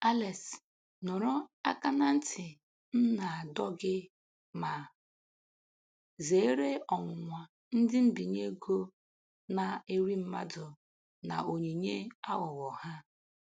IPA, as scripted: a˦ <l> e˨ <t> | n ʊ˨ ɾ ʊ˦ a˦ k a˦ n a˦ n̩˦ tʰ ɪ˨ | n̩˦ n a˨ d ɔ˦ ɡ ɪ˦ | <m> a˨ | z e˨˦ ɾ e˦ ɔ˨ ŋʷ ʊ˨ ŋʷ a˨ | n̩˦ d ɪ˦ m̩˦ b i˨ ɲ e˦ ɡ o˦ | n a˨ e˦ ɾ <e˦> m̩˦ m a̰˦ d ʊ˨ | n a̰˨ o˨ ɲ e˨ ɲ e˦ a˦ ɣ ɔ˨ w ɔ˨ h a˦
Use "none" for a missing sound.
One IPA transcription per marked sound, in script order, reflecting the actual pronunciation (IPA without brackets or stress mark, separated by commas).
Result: l, s, m, i˦